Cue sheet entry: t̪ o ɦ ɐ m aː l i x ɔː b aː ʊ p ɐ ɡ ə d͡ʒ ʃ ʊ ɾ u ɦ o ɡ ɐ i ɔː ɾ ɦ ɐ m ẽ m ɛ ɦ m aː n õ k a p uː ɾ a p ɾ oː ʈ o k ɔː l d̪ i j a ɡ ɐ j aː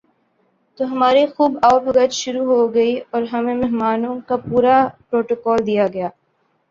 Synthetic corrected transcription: t̪ o ɦ ɐ m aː ɾ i x uː b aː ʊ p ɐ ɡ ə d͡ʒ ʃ ʊ ɾ u ɦ o ɡ ɐ i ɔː ɾ ɦ ɐ m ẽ m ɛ ɦ m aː n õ k a p uː ɾ a p ɾ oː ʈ o k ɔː l d̪ i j a ɡ ɐ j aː